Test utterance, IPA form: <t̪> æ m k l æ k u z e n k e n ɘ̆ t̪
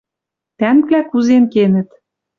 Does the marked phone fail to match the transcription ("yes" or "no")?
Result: no